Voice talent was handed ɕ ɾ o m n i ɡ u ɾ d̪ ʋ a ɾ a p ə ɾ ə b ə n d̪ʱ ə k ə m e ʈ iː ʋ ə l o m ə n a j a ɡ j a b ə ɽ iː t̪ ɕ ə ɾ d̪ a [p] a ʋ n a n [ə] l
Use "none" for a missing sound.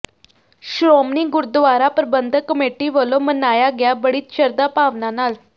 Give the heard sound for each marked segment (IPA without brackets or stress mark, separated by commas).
p, a